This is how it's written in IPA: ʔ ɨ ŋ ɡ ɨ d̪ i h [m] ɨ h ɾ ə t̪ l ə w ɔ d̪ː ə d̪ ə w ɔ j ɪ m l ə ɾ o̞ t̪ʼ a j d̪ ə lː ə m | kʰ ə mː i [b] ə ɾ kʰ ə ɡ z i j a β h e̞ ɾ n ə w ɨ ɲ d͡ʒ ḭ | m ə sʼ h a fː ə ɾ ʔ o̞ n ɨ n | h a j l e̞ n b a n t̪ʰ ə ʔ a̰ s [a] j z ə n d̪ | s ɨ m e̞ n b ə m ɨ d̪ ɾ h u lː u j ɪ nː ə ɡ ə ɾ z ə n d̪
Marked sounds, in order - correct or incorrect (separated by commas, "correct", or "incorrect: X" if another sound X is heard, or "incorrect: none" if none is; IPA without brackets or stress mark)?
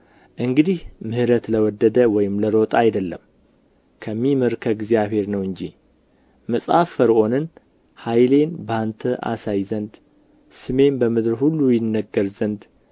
correct, incorrect: m, correct